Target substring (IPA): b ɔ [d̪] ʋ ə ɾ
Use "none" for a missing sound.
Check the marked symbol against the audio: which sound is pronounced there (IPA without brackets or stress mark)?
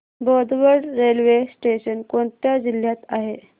d̪